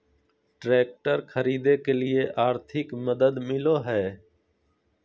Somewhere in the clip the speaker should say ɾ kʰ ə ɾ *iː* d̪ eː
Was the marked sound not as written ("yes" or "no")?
no